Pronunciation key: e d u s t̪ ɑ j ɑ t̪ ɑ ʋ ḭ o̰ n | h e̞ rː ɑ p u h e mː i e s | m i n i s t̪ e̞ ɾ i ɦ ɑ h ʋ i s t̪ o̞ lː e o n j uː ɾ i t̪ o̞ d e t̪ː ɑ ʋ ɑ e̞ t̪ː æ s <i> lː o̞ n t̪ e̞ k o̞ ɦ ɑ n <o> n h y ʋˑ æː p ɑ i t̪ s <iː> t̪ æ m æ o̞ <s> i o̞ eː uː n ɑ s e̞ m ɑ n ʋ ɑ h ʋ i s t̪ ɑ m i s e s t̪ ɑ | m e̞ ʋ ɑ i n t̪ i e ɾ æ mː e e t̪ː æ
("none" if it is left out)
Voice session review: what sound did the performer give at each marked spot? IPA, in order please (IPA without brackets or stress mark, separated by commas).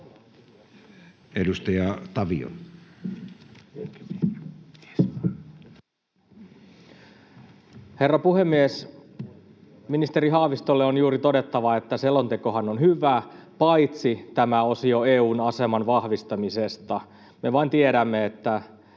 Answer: e, o, i, s